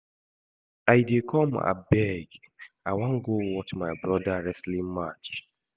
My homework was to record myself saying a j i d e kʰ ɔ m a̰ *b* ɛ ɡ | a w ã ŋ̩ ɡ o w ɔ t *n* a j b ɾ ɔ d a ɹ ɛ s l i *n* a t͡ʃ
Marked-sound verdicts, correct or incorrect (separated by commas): correct, incorrect, incorrect